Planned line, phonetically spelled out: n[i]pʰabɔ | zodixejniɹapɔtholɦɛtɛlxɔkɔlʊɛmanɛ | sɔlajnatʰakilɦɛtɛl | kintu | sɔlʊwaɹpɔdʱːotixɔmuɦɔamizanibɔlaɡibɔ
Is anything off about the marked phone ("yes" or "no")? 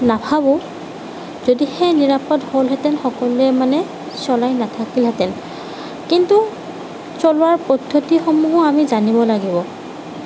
yes